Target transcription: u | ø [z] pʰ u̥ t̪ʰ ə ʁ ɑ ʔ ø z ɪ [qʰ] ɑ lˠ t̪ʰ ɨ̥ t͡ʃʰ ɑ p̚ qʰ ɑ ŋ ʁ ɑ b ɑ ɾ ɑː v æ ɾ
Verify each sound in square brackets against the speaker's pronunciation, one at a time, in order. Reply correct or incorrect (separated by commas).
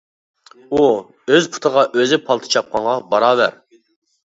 correct, incorrect